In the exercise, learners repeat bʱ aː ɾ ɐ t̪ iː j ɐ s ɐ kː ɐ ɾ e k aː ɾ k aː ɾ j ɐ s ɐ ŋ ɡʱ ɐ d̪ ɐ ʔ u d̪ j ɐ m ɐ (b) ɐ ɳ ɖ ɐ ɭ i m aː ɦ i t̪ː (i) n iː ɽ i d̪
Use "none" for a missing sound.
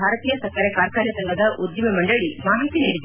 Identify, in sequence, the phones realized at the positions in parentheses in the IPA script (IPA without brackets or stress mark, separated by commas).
m, i